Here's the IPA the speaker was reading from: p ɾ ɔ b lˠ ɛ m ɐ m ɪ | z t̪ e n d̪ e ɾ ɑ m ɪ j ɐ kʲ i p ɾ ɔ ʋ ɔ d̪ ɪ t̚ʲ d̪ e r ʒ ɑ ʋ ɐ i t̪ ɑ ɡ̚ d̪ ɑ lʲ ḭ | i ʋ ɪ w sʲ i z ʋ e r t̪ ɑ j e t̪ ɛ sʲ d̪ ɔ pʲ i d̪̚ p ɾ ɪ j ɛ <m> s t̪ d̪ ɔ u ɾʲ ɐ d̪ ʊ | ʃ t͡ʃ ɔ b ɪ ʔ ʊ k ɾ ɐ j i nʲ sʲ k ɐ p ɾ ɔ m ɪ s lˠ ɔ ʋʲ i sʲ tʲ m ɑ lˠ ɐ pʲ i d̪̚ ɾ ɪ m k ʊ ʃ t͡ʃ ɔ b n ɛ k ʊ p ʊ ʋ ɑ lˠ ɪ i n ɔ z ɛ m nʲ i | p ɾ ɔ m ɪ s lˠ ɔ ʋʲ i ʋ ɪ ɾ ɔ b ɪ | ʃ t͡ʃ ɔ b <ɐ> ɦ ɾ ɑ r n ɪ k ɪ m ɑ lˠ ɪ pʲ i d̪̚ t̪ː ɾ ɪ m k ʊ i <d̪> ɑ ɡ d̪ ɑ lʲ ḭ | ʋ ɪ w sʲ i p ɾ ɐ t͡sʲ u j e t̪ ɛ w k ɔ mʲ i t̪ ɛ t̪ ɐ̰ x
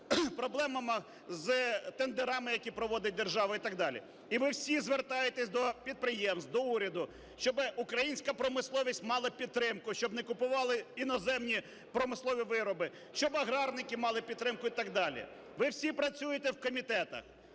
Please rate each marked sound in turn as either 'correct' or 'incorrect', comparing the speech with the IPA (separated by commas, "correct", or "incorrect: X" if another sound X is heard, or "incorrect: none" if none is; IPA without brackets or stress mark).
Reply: correct, correct, incorrect: t̪